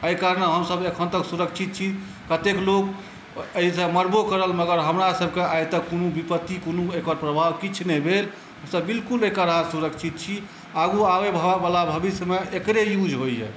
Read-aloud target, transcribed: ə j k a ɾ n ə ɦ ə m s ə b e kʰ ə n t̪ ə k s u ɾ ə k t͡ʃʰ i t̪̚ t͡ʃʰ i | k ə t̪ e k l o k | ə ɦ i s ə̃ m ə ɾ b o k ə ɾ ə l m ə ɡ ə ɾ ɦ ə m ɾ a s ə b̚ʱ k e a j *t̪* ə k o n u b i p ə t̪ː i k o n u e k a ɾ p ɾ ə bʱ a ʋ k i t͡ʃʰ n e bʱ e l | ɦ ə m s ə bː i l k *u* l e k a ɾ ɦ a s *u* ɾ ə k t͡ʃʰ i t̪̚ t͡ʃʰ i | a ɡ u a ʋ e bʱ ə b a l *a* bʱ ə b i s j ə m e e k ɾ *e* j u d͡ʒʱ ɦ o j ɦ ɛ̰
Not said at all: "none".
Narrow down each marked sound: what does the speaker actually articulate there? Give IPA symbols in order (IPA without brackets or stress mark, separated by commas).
t̪, u, u, a, e